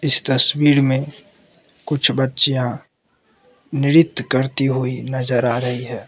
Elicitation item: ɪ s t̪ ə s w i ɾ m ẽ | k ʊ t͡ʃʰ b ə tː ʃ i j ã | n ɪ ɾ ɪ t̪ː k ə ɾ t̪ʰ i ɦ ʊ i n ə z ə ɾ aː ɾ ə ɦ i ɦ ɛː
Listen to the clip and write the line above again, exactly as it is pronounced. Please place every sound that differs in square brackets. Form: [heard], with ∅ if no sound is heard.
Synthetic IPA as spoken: ɪ s t̪ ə s w [iː] ɾ m ẽ | k ʊ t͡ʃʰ b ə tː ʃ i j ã | n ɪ ɾ ɪ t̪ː k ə ɾ [t̪] i ɦ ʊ i n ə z ə ɾ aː ɾ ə ɦ i ɦ ɛː